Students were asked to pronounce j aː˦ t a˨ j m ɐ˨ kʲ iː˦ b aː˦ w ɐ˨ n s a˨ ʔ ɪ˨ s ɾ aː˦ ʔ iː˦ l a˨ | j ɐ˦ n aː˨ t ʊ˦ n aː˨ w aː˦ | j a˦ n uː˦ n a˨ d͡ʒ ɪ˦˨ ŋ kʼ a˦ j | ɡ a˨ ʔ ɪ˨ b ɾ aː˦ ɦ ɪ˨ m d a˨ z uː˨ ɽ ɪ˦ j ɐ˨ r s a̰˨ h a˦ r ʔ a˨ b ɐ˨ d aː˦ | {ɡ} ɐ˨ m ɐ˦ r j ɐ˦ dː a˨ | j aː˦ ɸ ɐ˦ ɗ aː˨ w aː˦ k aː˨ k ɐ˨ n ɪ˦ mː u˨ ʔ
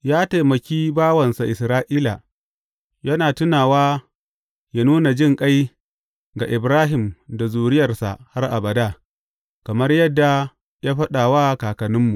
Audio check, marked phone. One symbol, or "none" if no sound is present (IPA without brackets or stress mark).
k